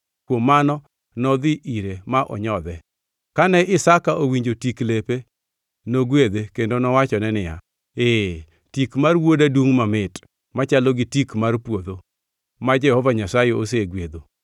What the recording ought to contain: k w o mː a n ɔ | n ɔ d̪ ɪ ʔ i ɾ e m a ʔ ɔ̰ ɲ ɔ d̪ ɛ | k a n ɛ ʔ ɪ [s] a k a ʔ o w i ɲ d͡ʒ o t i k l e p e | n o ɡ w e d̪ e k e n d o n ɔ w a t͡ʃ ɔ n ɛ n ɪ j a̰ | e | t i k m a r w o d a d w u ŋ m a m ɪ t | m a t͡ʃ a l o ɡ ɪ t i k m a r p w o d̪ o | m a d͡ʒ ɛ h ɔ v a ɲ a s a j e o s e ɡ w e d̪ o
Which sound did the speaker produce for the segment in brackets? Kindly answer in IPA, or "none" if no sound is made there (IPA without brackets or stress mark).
s